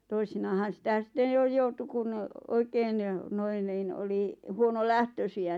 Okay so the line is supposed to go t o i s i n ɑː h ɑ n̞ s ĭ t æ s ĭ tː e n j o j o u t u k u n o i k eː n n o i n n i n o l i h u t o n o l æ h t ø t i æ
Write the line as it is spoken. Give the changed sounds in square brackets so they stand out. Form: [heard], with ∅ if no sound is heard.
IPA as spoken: t o i s i n ɑː h ɑ n̞ s ĭ t æ s ĭ tː e n j o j o u t u k u n o i k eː n n o i n n [iː] n o l i h u [∅] o n o l æ h t ø [s] i æ